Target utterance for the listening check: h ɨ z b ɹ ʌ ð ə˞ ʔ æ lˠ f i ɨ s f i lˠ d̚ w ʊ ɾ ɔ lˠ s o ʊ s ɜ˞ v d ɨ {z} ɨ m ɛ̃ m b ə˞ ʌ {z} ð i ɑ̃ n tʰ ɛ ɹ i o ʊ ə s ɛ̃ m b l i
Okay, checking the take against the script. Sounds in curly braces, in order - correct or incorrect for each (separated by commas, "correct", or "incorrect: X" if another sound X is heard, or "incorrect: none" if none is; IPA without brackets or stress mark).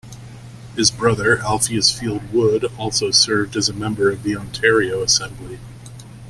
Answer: correct, incorrect: v